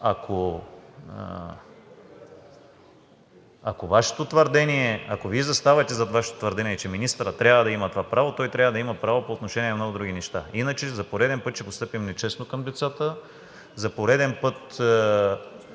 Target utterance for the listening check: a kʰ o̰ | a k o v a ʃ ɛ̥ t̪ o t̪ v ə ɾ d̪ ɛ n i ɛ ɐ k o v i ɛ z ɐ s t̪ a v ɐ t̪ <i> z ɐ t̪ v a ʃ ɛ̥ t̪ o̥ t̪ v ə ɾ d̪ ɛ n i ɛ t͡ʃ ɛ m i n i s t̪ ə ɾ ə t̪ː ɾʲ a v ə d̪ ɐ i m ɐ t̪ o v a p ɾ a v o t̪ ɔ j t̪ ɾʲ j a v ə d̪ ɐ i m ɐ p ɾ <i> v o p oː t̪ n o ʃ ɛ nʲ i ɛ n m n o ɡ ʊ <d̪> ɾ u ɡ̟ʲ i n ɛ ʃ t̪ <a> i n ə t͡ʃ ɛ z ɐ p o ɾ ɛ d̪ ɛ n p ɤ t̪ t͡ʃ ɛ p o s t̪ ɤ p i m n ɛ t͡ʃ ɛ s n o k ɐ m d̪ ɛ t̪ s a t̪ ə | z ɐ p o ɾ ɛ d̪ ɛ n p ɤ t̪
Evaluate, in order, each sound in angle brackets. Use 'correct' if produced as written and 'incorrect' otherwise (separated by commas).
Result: incorrect, incorrect, correct, correct